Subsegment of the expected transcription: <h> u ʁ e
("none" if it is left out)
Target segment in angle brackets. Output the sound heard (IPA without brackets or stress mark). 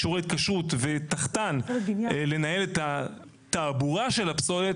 ʃ